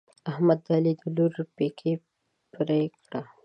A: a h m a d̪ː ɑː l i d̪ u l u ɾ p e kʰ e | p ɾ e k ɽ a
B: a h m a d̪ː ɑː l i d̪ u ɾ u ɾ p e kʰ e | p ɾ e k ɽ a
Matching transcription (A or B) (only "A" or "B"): A